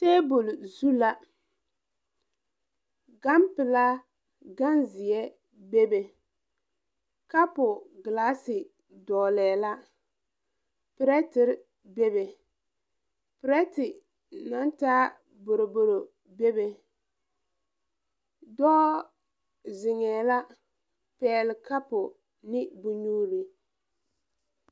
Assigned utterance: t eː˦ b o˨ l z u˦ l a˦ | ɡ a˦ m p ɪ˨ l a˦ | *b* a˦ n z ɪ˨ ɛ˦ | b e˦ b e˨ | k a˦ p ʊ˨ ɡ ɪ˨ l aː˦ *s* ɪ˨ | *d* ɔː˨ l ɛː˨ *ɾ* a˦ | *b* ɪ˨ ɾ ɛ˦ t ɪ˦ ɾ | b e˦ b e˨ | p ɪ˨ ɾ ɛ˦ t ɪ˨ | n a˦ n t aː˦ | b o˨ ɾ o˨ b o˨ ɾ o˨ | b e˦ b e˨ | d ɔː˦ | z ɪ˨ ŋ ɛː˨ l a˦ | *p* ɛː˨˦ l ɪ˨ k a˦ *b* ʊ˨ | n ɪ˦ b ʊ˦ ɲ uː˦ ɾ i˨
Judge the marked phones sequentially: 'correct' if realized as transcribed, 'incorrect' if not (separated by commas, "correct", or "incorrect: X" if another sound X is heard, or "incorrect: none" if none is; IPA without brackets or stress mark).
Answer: incorrect: ɡ, correct, correct, incorrect: l, incorrect: p, correct, incorrect: p